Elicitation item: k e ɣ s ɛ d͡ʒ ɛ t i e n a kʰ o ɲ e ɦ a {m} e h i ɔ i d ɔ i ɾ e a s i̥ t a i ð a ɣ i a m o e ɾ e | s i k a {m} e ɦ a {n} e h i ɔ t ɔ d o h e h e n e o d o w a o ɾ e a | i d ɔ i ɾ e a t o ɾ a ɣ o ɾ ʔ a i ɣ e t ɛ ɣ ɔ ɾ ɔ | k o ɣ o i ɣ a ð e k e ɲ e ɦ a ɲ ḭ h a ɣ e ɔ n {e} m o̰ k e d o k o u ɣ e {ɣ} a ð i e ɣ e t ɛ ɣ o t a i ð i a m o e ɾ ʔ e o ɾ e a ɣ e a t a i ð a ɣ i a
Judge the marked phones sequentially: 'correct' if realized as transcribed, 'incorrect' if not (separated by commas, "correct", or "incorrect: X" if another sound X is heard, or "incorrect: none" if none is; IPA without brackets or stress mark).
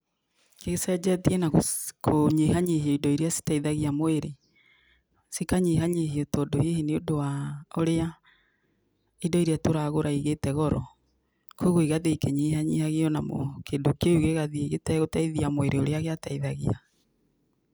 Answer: incorrect: ɲ, incorrect: ɲ, incorrect: ɲ, incorrect: a, correct